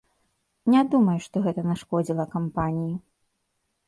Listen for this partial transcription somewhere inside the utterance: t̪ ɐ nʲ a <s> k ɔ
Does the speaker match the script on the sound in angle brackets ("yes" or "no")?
no